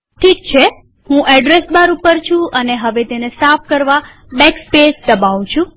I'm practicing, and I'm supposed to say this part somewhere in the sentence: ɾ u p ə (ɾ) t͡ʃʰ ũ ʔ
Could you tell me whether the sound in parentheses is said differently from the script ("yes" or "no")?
no